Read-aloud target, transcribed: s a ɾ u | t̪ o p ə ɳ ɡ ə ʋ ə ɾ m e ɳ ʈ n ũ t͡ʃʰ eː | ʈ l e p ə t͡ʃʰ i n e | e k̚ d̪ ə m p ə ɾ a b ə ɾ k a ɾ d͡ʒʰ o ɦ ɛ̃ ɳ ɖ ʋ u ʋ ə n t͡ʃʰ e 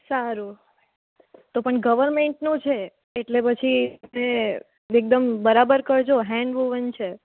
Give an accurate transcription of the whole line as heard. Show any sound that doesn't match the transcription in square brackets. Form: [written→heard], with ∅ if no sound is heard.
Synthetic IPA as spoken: s a ɾ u | t̪ o p ə ɳ ɡ ə ʋ ə ɾ m e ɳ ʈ n ũ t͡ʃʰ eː | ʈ l e p ə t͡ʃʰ i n e | e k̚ d̪ ə m [p→b] ə ɾ a b ə ɾ k [a→ə] ɾ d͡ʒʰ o ɦ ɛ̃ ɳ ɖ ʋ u ʋ ə n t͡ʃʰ e